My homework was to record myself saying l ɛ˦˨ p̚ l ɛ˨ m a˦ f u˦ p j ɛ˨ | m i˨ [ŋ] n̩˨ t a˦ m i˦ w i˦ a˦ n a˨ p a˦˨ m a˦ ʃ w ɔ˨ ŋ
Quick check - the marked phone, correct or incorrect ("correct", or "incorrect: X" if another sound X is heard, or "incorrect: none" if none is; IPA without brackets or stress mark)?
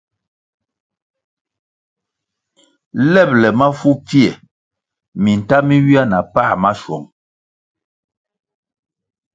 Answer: incorrect: none